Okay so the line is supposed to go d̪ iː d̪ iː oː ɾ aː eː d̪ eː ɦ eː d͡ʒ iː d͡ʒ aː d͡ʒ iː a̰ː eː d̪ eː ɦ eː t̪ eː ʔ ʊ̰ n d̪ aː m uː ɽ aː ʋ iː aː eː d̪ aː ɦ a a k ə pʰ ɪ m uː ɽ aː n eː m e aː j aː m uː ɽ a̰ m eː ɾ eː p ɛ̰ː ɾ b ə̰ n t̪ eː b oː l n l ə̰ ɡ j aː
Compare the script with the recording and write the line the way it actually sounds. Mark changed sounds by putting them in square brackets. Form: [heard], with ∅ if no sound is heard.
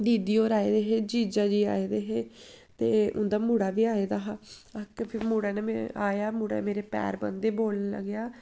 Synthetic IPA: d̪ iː d̪ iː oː ɾ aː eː d̪ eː ɦ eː d͡ʒ iː d͡ʒ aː d͡ʒ iː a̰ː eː d̪ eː ɦ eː t̪ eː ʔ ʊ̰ n d̪ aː m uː ɽ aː ʋ iː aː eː d̪ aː ɦ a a k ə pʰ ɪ m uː ɽ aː n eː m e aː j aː m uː ɽ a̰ m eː ɾ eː p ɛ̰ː ɾ b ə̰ n [d̪] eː b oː l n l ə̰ ɡ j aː